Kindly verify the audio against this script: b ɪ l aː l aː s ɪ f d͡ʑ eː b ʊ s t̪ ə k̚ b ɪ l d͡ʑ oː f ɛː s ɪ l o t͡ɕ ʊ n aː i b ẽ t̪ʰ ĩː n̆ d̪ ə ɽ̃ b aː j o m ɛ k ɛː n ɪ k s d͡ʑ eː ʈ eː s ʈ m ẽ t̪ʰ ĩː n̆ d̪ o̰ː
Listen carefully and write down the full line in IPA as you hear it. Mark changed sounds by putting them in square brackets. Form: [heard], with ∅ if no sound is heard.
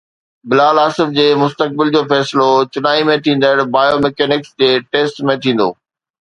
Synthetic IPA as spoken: b ɪ l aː l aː s ɪ f d͡ʑ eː [m] ʊ s t̪ ə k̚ b ɪ l d͡ʑ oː f ɛː s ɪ l o t͡ɕ ʊ n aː i [m] ẽ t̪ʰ ĩː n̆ d̪ ə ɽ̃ b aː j o m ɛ k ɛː n ɪ k s d͡ʑ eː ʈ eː s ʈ m ẽ t̪ʰ ĩː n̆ d̪ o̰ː